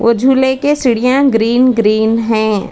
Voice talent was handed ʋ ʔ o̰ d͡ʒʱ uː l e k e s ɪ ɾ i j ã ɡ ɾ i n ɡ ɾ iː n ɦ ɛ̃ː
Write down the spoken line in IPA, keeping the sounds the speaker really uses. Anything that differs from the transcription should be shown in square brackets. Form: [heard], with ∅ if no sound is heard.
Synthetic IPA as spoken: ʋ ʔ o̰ d͡ʒʱ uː l e k e s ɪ [ɽ] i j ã ɡ ɾ [iː] n ɡ ɾ iː n ɦ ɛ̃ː